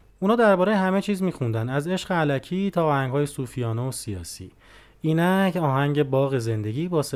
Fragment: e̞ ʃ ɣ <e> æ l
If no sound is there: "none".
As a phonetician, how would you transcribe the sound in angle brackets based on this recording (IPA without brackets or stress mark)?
e